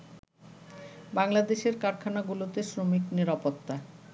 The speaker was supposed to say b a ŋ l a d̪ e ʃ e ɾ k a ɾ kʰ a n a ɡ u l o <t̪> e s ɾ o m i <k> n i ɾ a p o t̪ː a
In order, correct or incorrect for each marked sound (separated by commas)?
correct, correct